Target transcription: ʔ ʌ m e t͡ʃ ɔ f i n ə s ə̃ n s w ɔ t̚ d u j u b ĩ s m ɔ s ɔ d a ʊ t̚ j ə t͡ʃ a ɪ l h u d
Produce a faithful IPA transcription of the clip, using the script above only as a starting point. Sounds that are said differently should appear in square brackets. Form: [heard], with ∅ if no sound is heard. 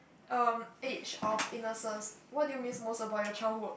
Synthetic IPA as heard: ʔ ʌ m e t͡ʃ ɔ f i n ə s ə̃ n s w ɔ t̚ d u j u [m] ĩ s m [o] s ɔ [b] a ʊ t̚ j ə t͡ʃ a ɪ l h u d